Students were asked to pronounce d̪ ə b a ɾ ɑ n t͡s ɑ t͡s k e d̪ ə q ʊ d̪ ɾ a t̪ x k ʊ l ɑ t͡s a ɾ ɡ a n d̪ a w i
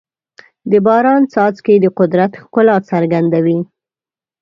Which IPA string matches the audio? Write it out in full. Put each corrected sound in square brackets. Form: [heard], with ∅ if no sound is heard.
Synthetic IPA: d̪ ə b [ɑ] ɾ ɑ n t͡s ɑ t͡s k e d̪ ə q ʊ d̪ ɾ a t̪ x k ʊ l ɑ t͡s a ɾ ɡ a n d̪ a w i